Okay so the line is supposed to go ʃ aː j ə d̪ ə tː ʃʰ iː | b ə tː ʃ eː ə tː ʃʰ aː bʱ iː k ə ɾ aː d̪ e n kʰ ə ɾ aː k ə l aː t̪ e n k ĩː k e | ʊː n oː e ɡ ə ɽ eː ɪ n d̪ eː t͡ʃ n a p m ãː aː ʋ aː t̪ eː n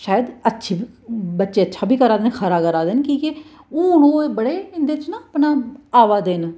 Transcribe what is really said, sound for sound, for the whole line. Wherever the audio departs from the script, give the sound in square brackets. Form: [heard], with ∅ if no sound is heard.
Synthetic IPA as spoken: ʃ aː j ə d̪ ə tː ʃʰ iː | b ə tː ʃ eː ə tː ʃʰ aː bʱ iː k ə ɾ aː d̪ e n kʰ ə ɾ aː k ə [ɾ] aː [d̪] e n k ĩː k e | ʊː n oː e [b] ə ɽ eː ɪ n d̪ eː t͡ʃ n a p [n] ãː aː ʋ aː [d̪] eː n